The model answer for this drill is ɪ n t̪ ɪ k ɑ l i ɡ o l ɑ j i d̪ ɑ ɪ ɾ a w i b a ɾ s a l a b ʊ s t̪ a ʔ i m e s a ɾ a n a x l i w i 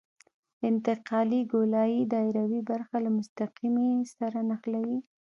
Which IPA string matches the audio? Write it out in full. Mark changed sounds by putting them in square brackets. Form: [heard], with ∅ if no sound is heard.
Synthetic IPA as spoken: ɪ n t̪ ɪ [q] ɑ l i ɡ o l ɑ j i d̪ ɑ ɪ ɾ a w i b a ɾ [x] a l a [m] ʊ s t̪ a [q] i m e s a ɾ a n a x l [a] w i